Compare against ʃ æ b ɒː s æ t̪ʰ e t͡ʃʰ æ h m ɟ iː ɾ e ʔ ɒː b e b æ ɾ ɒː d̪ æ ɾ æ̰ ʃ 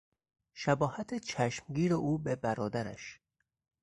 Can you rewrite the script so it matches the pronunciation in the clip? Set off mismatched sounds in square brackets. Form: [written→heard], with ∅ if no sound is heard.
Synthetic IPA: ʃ æ b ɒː [s→h] æ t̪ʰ e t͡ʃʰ æ [h→ʃ] m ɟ iː ɾ e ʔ [ɒː→uː] b e b æ ɾ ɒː d̪ æ ɾ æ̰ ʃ